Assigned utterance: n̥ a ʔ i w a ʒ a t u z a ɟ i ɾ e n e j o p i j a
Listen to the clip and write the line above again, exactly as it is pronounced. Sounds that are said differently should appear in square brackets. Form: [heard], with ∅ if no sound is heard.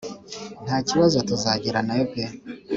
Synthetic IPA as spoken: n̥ a [c] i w a [z] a t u z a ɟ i ɾ [a] n [a] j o p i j a